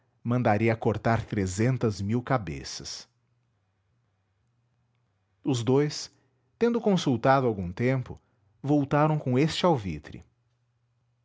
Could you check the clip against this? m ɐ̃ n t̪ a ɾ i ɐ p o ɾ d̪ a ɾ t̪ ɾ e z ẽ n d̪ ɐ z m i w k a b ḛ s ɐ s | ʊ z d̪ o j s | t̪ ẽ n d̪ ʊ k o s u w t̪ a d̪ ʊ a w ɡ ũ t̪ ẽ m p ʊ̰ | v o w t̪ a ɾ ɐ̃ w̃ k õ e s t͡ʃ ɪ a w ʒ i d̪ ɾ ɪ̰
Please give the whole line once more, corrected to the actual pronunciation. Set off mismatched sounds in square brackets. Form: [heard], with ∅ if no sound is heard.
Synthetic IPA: m ɐ̃ n [d̪] a ɾ i ɐ [k] o ɾ [t̪] a ɾ t̪ ɾ e z ẽ n [t̪] ɐ z m i w k a b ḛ s ɐ s | ʊ z d̪ o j s | t̪ ẽ n d̪ ʊ k [õ] s u w t̪ a d̪ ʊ a w ɡ ũ t̪ ẽ m p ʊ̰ | v o w t̪ a ɾ ɐ̃ w̃ k õ e s t͡ʃ ɪ a w [v] i [t̪] ɾ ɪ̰